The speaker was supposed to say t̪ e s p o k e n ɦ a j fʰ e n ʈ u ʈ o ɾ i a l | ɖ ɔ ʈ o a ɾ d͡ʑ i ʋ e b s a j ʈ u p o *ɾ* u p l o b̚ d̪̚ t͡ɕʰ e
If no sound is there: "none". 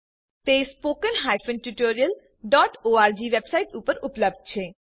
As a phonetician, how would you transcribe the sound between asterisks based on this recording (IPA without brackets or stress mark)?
ɾ